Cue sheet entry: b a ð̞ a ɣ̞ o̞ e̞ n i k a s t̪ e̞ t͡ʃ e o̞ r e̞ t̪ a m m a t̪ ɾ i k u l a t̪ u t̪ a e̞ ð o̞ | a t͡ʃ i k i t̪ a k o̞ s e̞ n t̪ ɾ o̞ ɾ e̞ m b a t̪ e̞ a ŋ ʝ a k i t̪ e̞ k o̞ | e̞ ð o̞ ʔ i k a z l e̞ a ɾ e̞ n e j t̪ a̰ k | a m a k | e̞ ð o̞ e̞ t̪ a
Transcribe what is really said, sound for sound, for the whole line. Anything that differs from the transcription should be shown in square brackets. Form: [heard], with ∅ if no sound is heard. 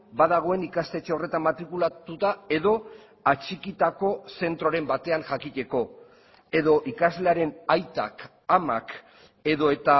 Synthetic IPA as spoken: b a ð̞ a ɣ̞ o̞ e̞ n i k a s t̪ e̞ t͡ʃ e o̞ r e̞ t̪ a m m a t̪ ɾ i k u l a t̪ u t̪ a e̞ ð o̞ | a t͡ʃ i k i t̪ a k o̞ s e̞ n t̪ ɾ o̞ ɾ e̞ m b a t̪ e̞ a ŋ ʝ a k i t̪ e̞ k o̞ | e̞ ð o̞ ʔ i k a z l e̞ a ɾ e̞ n [a] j t̪ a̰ k | a m a k | e̞ ð o̞ e̞ t̪ a